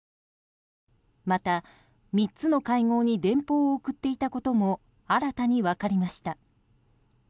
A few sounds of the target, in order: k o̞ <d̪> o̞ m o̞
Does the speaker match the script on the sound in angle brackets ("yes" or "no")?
no